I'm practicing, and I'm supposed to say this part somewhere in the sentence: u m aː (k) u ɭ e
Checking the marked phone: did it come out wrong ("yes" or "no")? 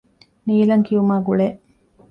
yes